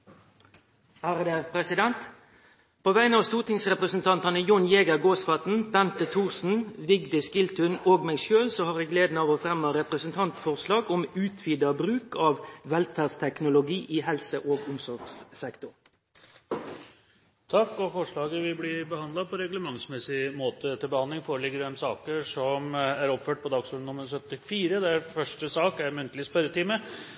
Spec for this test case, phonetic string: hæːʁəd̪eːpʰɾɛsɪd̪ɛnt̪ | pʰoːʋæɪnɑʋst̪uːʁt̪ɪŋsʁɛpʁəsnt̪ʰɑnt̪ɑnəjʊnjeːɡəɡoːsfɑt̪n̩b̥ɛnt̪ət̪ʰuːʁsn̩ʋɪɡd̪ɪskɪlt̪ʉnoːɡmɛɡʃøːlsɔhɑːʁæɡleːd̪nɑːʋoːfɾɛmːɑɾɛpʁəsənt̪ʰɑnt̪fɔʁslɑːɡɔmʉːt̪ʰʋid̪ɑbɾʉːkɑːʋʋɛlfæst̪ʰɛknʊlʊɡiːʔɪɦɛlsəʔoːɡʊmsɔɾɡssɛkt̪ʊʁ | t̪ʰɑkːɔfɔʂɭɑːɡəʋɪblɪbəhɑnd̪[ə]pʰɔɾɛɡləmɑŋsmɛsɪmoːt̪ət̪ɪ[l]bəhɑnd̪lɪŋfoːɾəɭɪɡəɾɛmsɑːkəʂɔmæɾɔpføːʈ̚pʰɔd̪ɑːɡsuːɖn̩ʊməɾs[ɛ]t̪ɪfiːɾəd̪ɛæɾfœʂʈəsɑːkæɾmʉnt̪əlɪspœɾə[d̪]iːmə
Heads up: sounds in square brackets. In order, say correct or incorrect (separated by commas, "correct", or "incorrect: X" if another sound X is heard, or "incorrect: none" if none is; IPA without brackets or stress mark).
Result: incorrect: ɑ, correct, incorrect: œ, incorrect: t̪